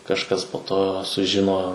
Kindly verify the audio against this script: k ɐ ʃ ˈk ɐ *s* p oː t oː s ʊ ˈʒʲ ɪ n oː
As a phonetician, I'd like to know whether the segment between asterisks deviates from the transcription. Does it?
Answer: no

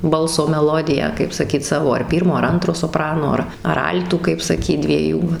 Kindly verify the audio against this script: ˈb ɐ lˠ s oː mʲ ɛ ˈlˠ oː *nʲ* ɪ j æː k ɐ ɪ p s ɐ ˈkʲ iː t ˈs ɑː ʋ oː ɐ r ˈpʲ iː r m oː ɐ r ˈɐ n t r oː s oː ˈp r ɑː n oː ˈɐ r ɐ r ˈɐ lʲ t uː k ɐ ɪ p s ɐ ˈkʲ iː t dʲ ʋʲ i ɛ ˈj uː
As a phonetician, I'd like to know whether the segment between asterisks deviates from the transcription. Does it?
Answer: yes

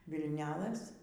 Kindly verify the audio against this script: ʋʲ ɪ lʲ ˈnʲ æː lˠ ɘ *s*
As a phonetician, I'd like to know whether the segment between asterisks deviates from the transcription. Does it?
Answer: no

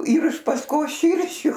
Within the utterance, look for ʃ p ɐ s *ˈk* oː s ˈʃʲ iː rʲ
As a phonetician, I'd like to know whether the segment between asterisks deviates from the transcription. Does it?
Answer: no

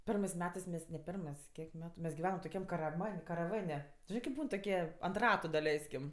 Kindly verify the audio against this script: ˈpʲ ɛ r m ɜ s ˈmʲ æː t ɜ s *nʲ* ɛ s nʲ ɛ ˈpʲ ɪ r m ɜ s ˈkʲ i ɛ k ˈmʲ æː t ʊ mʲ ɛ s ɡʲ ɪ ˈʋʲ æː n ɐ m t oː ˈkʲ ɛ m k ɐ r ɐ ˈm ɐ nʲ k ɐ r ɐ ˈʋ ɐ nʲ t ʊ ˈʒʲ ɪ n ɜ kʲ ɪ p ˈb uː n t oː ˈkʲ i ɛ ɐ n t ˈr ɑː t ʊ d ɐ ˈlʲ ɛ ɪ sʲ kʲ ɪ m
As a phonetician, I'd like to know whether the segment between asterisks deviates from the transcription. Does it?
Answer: yes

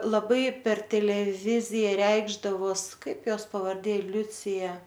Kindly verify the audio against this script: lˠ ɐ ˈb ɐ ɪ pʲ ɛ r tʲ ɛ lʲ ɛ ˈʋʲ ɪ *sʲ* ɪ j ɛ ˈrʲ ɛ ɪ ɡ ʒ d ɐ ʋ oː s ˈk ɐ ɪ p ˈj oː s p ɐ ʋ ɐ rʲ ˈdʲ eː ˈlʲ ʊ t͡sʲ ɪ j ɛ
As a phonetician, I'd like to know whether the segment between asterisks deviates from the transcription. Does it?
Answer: yes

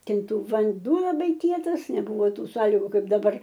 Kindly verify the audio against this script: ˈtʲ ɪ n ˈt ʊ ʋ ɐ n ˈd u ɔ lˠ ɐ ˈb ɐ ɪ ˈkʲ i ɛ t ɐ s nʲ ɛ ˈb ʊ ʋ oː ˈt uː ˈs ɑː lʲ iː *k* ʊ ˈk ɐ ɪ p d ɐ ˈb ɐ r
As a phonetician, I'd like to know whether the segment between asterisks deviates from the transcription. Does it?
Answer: yes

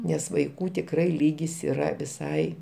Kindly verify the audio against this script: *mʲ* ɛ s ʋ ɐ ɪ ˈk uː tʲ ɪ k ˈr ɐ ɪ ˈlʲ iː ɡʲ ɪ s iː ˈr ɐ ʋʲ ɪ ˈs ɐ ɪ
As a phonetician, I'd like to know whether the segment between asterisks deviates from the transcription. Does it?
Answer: yes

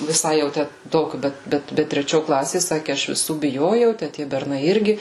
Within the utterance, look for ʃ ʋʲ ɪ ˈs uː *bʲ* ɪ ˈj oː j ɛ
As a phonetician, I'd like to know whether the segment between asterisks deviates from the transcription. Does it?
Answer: no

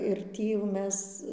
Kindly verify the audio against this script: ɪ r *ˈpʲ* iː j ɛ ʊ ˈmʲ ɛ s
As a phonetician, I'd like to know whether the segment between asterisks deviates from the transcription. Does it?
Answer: yes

